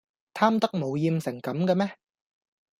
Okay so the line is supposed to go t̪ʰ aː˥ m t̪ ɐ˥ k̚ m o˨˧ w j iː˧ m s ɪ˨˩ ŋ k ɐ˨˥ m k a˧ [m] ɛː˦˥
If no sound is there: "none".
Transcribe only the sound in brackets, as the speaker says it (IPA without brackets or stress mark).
m